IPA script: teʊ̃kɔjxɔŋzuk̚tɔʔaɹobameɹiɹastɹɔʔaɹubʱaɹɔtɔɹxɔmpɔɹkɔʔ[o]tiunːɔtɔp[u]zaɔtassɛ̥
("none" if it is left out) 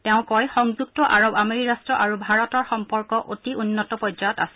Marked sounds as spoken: o, ɔ

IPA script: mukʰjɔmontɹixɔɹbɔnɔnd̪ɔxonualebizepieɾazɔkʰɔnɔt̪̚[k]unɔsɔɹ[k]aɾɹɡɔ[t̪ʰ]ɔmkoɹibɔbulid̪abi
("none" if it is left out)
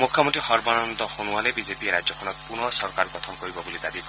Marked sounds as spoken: p, k, t̪ʰ

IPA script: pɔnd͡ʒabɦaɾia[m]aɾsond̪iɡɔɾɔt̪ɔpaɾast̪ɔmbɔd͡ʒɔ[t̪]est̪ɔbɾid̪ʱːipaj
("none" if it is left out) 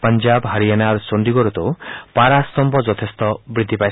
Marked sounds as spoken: n, t̪ʰ

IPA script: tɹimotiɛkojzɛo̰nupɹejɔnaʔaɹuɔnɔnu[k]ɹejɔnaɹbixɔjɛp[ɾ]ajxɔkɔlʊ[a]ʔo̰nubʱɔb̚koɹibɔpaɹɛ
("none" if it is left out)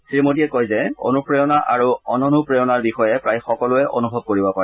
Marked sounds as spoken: p, ɹ, ɛ

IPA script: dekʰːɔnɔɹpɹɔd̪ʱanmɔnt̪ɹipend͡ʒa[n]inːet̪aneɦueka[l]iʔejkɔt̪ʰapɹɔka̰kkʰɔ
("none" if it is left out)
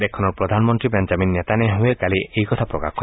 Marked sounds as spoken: m, l

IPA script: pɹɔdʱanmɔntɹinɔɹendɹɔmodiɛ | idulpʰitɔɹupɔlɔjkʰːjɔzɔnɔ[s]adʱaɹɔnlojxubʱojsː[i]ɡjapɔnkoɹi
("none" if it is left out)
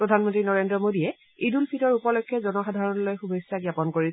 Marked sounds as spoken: x, a

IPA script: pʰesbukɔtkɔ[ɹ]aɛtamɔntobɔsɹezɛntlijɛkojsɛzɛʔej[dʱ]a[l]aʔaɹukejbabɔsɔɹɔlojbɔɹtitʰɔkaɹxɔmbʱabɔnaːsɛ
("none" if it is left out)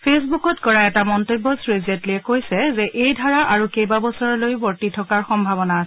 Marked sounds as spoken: ɹ, dʱ, ɹ

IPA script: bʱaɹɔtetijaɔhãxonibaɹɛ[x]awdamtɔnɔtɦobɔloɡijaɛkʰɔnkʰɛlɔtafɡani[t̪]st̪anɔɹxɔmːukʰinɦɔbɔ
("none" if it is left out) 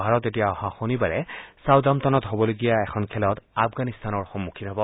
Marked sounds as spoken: s, none

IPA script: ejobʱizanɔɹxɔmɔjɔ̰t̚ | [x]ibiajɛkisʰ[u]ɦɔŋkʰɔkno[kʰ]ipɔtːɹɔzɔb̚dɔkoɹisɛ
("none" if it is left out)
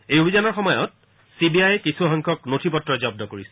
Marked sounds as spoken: s, u, tʰ

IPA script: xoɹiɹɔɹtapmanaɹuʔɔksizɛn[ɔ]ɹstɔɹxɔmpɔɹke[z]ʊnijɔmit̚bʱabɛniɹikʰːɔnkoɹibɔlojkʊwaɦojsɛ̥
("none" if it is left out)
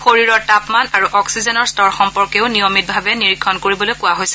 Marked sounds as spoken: ɔ, none

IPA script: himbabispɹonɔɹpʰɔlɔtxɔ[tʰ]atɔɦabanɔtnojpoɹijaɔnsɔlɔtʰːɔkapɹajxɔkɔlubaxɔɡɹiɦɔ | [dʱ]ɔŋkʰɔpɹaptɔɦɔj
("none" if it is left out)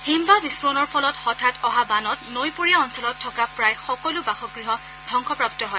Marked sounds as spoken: tʰ, dʱ

